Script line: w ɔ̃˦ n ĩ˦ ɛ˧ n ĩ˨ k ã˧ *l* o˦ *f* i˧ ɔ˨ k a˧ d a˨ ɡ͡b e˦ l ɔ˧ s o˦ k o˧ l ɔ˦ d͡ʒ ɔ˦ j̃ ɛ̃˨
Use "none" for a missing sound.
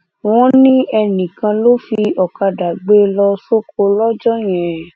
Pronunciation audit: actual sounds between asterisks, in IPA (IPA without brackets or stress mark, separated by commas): l, f